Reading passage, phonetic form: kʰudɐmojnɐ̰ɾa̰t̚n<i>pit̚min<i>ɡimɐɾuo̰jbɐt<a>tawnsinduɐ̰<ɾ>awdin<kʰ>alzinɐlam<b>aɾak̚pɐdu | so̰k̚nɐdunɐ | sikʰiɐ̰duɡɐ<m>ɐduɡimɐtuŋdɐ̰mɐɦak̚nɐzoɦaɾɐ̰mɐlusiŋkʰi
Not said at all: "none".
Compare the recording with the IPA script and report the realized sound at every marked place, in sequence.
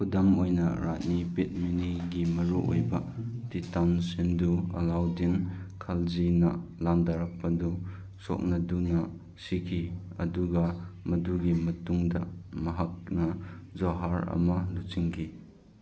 i, i, i, l, kʰ, d, m

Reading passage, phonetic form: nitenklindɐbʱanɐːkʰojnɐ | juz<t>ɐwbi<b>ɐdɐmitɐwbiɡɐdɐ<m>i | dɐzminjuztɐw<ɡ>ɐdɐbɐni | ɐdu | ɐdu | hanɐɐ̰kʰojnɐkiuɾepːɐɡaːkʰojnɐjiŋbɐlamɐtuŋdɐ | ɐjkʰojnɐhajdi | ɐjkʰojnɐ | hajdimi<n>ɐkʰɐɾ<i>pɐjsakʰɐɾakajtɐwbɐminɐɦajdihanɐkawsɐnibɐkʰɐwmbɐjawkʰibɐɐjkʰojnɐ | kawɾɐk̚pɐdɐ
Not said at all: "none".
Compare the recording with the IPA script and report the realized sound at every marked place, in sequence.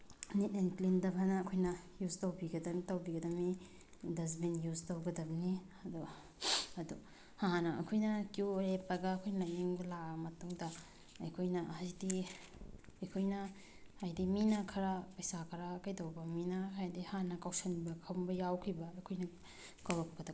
t, ɡ, m, ɡ, n, a

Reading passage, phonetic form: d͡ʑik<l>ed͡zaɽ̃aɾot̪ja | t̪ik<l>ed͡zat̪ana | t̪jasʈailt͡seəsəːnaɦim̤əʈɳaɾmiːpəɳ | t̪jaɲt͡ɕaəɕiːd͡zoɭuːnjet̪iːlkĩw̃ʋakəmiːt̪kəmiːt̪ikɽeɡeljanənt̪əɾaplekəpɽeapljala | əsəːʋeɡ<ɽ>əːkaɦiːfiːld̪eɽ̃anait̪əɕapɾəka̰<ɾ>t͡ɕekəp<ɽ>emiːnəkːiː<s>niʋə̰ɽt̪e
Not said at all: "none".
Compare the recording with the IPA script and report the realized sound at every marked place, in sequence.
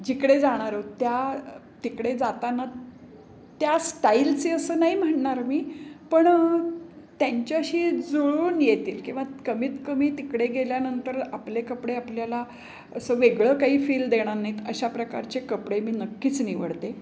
ɽ, ɽ, ɭ, ɾ, ɽ, t͡s

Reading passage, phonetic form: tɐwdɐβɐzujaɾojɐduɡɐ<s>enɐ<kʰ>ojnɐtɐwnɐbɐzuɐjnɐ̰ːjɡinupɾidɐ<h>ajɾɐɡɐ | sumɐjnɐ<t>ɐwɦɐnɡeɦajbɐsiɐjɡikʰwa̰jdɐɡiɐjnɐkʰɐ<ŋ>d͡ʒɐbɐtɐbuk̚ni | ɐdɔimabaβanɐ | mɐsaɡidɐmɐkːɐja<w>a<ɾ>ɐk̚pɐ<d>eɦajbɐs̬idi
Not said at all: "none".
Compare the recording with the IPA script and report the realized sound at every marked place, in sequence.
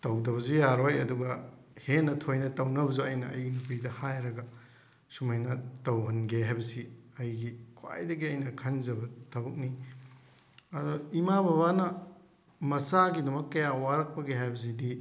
h, tʰ, h, t, n, w, ɾ, ɡ

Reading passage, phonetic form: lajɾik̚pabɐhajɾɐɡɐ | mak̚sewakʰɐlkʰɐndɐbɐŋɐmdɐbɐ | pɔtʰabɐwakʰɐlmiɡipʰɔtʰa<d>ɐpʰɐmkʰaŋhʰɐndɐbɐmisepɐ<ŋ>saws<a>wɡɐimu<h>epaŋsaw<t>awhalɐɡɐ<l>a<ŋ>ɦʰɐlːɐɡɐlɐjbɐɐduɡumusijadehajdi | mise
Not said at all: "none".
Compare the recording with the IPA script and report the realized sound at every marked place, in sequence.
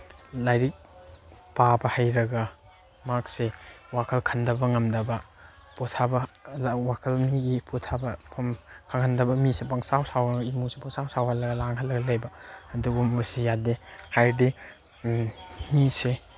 b, ŋ, a, s, s, l, ŋ

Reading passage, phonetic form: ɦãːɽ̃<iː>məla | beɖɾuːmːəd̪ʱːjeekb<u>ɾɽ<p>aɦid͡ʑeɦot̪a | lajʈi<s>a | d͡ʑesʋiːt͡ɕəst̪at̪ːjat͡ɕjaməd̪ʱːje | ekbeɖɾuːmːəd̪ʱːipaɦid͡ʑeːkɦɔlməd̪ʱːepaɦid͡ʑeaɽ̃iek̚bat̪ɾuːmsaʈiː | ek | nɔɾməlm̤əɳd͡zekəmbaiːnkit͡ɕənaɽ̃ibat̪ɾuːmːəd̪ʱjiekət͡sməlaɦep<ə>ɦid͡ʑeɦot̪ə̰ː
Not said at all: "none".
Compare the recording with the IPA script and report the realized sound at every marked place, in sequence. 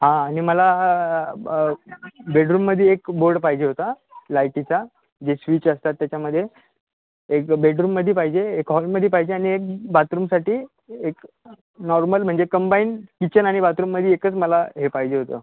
i, o, p, t͡s, a

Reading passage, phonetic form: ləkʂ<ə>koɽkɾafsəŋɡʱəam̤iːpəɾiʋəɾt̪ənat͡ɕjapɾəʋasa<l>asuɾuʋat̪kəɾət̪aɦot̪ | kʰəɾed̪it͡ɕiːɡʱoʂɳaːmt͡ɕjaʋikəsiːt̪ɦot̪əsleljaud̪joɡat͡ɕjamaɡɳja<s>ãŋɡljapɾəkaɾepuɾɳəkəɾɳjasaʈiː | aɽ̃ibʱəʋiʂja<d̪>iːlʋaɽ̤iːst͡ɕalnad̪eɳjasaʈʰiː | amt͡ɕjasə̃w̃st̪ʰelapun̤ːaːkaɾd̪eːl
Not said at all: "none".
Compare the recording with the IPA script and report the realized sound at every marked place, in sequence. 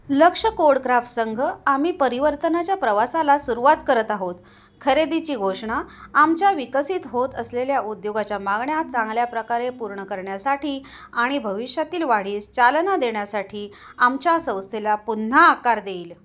ə, l, t͡s, t̪

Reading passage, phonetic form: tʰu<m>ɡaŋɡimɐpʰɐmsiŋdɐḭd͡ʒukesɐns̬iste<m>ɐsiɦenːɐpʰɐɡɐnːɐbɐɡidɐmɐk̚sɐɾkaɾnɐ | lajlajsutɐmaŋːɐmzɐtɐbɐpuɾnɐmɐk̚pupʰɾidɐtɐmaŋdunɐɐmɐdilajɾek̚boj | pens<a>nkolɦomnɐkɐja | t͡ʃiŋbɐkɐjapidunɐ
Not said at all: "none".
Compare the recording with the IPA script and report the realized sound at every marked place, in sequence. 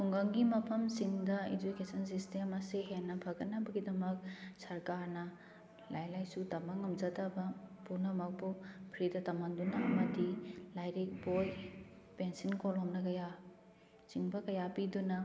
ŋ, m, i

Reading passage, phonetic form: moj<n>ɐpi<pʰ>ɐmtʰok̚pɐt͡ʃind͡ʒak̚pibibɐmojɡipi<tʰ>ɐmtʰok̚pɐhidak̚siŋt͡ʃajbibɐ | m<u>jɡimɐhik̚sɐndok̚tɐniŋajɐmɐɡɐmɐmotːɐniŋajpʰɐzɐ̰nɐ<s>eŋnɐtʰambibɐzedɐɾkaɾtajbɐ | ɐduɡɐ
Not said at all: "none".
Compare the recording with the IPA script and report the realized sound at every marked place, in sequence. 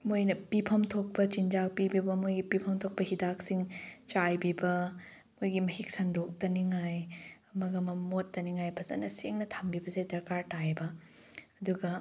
n, pʰ, pʰ, o, s

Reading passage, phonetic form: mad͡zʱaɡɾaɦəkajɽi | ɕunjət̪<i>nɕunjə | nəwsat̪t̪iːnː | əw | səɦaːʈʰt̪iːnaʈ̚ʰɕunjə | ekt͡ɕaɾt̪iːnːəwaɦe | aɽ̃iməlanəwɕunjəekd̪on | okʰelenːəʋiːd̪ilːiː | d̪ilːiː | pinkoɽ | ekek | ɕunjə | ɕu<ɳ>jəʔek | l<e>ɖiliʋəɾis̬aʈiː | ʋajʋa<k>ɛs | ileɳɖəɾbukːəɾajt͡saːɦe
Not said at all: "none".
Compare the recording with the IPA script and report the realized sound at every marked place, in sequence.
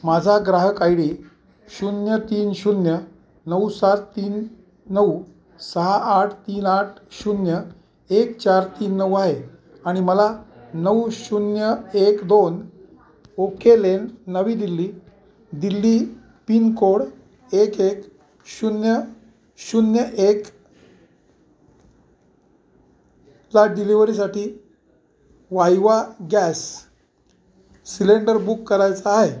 iː, n, a, ɡ

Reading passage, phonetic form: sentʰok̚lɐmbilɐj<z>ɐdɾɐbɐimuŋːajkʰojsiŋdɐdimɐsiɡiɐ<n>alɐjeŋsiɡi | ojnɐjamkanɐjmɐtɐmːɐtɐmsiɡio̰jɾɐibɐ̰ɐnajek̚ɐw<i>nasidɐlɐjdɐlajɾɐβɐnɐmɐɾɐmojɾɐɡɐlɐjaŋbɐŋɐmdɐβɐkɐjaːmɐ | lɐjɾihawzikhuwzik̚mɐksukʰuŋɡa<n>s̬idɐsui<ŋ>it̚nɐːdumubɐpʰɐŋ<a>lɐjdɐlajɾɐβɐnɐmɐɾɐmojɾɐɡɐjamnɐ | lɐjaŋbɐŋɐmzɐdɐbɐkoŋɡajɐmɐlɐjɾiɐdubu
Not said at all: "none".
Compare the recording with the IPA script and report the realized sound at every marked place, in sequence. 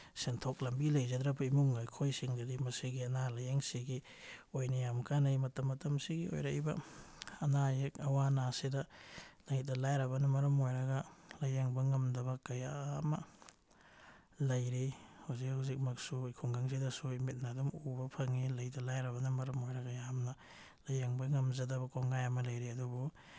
z, n, a, ŋ, m, i

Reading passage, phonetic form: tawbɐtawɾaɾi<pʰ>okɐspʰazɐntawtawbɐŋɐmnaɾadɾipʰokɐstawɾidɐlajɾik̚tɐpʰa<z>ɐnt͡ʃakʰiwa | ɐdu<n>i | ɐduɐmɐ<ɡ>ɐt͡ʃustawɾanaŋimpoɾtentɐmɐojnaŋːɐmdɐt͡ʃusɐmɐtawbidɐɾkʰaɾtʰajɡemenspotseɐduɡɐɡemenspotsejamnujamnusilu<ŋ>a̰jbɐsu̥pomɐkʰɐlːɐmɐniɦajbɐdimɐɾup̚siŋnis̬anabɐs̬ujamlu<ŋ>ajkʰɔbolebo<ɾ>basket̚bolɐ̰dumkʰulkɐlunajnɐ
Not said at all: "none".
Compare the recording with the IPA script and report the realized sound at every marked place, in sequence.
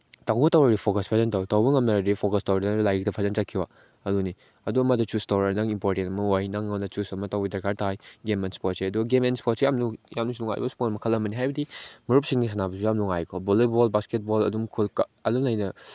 pʰ, z, n, d, ŋ, ŋ, l

